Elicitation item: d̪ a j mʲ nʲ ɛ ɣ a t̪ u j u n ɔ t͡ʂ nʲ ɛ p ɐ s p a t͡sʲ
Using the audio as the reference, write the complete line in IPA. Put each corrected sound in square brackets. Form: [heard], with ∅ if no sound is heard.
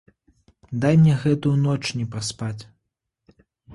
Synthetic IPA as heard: d̪ a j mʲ nʲ ɛ ɣ [ɛ] t̪ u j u n ɔ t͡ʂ nʲ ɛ p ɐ s p a t͡sʲ